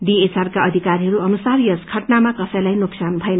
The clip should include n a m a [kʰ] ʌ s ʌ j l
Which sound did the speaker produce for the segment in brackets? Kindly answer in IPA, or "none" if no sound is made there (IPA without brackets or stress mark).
k